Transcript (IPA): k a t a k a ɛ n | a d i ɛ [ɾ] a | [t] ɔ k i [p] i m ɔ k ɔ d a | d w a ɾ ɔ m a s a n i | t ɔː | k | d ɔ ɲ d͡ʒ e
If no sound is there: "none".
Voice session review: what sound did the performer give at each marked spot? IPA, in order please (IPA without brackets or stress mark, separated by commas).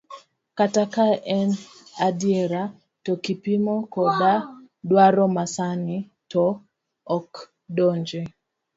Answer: ɾ, t, p